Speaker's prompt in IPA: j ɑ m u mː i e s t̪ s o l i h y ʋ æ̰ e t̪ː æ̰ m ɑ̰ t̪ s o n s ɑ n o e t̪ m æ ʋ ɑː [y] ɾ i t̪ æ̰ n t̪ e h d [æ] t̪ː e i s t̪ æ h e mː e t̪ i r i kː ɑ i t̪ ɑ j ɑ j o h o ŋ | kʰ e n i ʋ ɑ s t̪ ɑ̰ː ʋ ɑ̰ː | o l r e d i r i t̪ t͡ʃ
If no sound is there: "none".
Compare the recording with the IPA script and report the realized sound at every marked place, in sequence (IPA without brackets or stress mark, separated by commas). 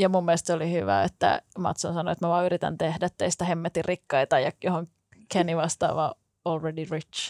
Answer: y, æ